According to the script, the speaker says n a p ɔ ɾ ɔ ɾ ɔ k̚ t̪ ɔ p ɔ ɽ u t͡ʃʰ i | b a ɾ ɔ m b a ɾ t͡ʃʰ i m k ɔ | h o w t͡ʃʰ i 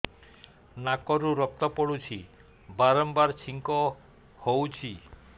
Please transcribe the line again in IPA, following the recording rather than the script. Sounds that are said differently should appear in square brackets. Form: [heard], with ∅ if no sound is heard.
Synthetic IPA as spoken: n a [k] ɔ ɾ [u] ɾ ɔ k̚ t̪ ɔ p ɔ ɽ u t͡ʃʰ i | b a ɾ ɔ m b a ɾ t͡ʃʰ i [ŋ] k ɔ | h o w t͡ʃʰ i